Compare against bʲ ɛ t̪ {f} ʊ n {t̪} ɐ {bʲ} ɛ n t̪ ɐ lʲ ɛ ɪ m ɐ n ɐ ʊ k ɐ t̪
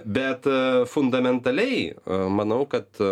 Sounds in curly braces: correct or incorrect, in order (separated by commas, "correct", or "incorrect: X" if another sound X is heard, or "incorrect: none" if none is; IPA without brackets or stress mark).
correct, incorrect: d̪, incorrect: mʲ